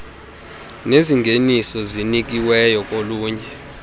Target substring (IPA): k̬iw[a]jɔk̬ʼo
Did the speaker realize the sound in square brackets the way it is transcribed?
no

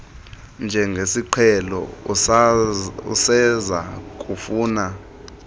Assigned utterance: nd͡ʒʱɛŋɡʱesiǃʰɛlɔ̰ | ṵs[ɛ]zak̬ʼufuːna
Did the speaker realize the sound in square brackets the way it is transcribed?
yes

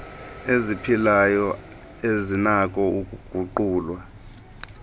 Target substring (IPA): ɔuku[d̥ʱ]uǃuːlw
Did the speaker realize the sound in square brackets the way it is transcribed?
no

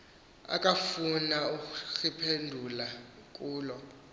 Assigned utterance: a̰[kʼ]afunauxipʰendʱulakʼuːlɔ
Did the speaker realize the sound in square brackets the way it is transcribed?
yes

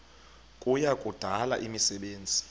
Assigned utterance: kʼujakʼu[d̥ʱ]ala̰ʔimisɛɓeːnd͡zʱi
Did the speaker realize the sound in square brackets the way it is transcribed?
yes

